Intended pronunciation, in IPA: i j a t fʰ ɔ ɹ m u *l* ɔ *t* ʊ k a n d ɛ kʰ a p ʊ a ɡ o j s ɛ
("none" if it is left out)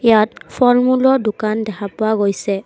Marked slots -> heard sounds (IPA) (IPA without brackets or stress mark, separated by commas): l, d